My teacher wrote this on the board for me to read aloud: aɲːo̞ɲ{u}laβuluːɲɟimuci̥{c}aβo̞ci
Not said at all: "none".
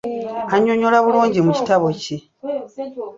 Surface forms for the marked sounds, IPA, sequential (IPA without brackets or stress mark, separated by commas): o, t